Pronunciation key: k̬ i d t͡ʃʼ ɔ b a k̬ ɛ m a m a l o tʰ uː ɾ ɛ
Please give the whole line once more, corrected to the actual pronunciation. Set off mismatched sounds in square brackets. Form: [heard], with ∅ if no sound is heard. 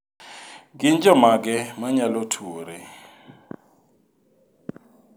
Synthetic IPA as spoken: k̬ i [n] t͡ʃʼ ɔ [m] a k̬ ɛ m a [ɲ] a l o tʰ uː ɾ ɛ